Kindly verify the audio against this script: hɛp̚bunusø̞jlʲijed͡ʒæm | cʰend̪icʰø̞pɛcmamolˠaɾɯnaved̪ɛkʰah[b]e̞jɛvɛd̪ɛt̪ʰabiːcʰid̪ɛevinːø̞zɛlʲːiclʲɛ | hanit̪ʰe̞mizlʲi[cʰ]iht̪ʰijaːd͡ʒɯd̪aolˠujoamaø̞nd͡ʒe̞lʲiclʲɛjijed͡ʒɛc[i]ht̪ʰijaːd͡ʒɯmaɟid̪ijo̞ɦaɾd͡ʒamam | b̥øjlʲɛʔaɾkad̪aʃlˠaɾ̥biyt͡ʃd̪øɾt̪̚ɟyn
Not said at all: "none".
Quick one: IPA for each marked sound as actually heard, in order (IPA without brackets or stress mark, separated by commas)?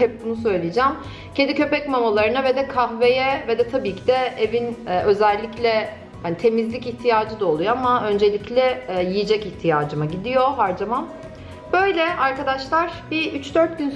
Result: v, c, i